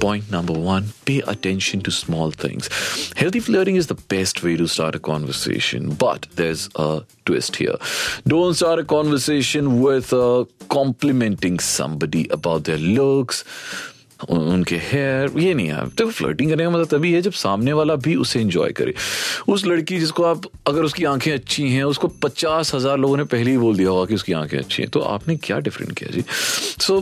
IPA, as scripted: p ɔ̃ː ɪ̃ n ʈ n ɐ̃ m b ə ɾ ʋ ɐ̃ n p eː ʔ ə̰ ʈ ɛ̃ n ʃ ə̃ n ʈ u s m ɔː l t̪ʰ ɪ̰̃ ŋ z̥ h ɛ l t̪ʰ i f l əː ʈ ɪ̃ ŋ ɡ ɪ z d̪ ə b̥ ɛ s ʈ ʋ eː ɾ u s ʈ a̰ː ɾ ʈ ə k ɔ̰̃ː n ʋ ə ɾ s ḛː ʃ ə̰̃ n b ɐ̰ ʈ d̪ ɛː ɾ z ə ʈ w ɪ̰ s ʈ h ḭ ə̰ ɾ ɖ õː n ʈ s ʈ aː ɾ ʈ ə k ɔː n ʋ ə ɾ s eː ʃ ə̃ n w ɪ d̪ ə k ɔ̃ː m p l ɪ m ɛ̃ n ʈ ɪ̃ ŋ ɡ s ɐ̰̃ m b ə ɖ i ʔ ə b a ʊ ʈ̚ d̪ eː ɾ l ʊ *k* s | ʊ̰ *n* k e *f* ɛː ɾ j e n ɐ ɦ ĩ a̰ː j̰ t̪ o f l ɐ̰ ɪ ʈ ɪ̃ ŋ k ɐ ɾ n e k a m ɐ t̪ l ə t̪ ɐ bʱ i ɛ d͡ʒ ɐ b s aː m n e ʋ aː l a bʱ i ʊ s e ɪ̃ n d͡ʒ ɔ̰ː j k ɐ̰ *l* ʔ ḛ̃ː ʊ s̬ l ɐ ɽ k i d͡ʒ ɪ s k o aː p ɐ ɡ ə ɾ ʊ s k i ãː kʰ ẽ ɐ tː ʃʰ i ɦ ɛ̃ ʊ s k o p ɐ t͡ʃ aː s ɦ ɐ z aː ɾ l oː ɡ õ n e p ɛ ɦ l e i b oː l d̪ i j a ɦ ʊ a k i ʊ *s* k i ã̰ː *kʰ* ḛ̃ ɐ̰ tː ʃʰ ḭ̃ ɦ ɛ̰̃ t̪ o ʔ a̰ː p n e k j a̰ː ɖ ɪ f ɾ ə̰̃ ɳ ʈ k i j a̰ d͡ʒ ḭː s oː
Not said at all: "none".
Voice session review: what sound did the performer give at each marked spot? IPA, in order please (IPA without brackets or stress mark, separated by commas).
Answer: k, n, h, ɾ, s, kʰ